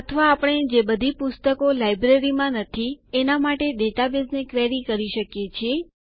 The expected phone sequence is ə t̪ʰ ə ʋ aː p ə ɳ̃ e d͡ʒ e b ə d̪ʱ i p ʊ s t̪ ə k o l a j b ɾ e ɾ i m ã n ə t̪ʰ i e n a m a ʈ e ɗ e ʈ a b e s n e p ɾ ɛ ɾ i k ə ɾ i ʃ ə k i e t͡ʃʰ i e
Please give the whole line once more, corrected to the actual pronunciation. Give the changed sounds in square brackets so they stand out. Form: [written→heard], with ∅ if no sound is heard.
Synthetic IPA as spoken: ə t̪ʰ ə ʋ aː p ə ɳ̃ e d͡ʒ e b ə d̪ʱ i p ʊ s t̪ ə k o l a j b ɾ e ɾ i m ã n ə t̪ʰ i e n a m a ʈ e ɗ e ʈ a b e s n e [p→k] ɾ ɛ ɾ i k ə ɾ i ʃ ə k [i→j] e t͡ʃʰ i e